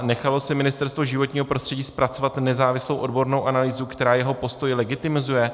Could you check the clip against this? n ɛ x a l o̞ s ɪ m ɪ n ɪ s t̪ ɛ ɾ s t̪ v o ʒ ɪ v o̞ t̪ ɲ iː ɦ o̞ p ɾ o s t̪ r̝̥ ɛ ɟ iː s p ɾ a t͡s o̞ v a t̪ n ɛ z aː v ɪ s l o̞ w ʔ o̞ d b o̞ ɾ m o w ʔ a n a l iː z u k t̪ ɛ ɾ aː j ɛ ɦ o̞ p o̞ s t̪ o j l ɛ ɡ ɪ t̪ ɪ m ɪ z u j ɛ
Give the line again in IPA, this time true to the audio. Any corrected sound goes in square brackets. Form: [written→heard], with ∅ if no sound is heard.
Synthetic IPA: n ɛ x a l o̞ s ɪ m ɪ n ɪ s t̪ ɛ ɾ s t̪ v o ʒ ɪ v o̞ t̪ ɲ iː ɦ o̞ p ɾ o s t̪ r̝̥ ɛ ɟ iː s p ɾ a t͡s o̞ v a t̪ n ɛ z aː v ɪ s l o̞ w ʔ o̞ d b o̞ ɾ [m→n] o w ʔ a n a l iː z u k t̪ ɛ ɾ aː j ɛ ɦ o̞ p o̞ s t̪ o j l ɛ ɡ ɪ t̪ ɪ m ɪ z u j ɛ